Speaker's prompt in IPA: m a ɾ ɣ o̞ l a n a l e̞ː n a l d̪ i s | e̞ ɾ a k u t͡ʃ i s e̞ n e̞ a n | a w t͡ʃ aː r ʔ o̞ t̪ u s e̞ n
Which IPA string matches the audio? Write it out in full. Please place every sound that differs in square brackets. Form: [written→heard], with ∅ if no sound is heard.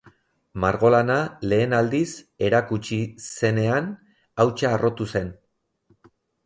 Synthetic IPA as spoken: m a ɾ ɣ o̞ l a n a l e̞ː n a l d̪ i s | e̞ ɾ a k u t͡ʃ i s e̞ n e̞ a n | a w t͡ʃ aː r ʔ o̞ t̪ u s e̞ n